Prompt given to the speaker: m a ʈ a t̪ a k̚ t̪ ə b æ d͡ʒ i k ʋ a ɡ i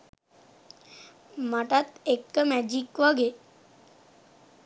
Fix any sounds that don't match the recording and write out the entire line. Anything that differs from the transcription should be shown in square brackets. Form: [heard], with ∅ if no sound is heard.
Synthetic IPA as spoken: m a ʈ a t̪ [e] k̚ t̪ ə [m] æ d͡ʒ i k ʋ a ɡ [e]